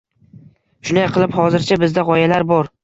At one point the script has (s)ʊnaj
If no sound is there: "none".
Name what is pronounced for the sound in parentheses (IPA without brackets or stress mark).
ʃ